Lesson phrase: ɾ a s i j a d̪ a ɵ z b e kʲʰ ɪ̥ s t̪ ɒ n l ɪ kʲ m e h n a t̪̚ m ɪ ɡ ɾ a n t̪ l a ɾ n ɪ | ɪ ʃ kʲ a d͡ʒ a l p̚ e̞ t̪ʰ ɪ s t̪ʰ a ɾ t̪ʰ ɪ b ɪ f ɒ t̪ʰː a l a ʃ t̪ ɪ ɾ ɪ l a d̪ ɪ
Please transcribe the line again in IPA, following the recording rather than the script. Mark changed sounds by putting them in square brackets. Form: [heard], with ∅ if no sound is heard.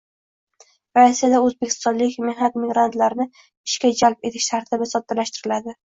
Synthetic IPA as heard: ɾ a s i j a d̪ a ɵ z b e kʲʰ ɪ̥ s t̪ ɒ n l ɪ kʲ m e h n a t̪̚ m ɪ ɡ ɾ a n t̪ l a ɾ n ɪ | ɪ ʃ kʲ a d͡ʒ a l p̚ e̞ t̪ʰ ɪ [ʃ] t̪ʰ a ɾ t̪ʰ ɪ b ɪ [s] ɒ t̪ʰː a l a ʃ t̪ ɪ ɾ ɪ l a d̪ ɪ